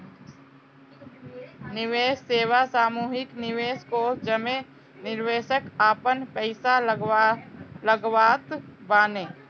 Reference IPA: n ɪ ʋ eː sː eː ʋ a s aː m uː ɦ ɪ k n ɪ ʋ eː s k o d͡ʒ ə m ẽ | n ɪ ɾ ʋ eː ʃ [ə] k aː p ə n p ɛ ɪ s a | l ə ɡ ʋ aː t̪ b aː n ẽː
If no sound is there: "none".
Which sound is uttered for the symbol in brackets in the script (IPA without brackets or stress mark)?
ə